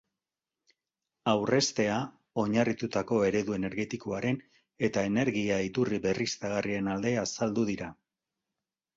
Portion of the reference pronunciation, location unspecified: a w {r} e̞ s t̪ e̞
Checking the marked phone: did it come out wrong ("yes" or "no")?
no